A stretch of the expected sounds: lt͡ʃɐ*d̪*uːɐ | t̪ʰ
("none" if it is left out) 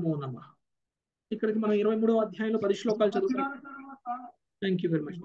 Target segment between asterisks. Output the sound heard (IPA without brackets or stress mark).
d̪